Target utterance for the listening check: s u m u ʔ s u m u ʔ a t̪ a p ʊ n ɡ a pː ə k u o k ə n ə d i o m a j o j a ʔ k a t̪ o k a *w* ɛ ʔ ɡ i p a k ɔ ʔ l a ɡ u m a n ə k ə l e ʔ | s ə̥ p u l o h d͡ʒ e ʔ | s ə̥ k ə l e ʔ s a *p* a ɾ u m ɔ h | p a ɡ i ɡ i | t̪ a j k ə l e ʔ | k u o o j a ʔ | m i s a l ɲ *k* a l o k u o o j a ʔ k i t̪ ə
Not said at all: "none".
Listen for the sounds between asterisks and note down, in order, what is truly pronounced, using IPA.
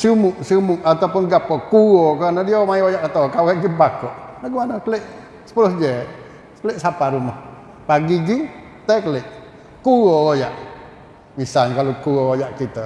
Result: w, p, k

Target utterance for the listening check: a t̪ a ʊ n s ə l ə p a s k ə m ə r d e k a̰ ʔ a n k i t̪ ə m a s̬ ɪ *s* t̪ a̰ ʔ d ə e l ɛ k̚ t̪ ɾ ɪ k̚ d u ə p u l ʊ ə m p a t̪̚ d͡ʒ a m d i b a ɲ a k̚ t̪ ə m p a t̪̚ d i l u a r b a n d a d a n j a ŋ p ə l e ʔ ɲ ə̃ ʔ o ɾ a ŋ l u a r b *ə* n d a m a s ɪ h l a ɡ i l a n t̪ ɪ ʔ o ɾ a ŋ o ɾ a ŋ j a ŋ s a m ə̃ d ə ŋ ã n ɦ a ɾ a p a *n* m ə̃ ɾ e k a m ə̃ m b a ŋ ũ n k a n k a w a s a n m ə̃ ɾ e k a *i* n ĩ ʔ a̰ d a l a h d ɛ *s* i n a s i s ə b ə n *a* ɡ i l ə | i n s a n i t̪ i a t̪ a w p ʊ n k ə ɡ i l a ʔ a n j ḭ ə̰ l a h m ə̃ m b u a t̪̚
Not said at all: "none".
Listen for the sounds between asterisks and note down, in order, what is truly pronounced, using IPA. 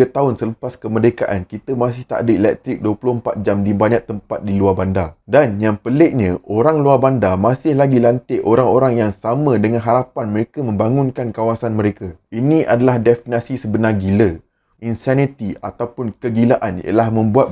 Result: h, a, n, i, f, a

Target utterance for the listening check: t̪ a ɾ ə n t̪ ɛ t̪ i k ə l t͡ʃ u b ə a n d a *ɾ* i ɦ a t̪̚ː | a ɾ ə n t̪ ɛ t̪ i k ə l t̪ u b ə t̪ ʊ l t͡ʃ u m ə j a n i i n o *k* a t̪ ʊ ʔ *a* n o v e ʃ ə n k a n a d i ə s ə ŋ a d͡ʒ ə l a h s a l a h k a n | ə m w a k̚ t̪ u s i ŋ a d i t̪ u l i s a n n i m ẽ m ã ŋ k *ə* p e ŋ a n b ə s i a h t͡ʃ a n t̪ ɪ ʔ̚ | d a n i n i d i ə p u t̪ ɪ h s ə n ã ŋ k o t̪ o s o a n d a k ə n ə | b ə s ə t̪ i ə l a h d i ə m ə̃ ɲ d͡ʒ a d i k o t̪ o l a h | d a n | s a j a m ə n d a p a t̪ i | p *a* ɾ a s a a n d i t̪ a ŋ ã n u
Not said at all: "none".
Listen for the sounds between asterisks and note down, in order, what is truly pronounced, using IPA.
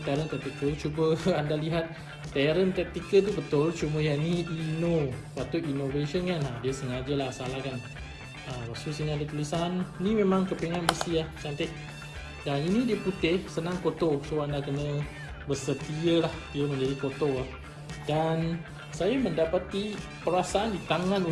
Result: l, p, i, ə, ə

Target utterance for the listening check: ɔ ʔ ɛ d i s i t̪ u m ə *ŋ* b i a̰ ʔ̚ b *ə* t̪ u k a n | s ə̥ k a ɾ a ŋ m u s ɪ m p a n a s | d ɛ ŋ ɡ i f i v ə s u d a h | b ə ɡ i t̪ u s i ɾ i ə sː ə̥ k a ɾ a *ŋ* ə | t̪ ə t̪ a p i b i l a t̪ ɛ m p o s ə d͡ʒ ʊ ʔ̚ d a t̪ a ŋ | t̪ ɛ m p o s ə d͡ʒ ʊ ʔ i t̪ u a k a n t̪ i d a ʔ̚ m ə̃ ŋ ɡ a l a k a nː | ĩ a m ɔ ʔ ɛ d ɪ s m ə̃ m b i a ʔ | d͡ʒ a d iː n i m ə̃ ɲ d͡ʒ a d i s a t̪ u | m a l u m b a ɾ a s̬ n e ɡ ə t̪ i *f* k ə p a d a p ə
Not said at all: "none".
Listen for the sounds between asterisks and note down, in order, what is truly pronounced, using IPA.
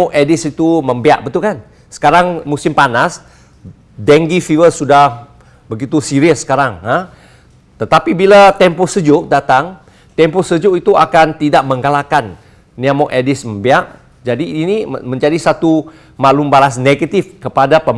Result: m, ə, ŋ, f

